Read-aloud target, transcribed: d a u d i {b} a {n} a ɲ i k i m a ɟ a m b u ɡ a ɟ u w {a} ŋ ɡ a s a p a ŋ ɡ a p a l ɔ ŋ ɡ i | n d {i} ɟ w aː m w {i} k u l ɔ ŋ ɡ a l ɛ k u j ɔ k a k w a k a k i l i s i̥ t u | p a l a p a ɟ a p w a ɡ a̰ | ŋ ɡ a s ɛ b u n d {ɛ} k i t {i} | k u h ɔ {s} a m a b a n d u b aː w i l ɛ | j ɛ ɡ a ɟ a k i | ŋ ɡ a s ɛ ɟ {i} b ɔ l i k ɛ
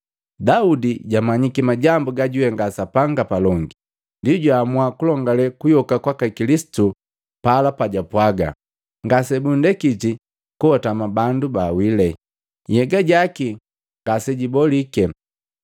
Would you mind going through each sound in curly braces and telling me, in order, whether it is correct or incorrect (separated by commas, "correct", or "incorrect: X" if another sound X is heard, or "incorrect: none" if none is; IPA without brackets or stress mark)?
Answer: incorrect: ɟ, incorrect: m, incorrect: ɛ, correct, incorrect: a, correct, correct, incorrect: t, correct